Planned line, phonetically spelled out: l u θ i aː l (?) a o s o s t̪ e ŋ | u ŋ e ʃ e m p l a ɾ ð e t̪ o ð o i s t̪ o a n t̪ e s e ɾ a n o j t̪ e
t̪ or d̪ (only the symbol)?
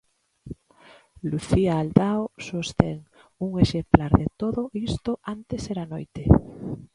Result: d̪